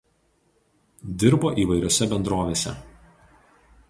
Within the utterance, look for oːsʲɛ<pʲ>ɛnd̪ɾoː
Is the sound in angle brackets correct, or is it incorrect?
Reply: incorrect